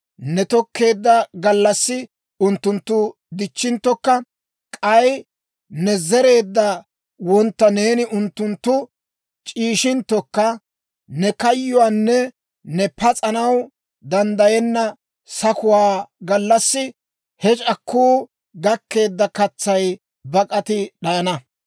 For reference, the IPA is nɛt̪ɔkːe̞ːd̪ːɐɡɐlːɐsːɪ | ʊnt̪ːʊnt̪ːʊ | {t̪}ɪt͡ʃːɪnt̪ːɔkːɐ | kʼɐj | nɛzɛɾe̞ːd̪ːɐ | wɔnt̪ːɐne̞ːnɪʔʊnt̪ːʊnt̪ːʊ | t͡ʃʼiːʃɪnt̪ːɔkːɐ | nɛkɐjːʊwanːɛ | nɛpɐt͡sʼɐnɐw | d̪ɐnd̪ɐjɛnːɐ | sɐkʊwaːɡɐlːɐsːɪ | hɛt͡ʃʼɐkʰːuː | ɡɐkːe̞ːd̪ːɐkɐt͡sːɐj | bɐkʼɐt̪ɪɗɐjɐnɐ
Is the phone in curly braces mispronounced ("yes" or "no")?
yes